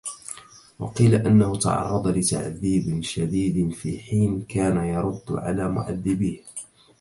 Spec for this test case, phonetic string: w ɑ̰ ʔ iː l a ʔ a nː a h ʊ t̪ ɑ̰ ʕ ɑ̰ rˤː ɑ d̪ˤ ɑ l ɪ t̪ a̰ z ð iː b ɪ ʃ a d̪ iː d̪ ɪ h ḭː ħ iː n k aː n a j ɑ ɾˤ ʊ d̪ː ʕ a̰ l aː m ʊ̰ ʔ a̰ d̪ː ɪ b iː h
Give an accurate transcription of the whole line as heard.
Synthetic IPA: w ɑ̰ q iː l a ʔ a nː a h ʊ t̪ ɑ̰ ʕ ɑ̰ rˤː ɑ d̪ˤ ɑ l ɪ t̪ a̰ ʕ ð iː b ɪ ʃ a d̪ iː d̪ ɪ f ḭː ħ iː n k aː n a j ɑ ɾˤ ʊ d̪ː ʕ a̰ l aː m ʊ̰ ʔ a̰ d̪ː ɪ b iː h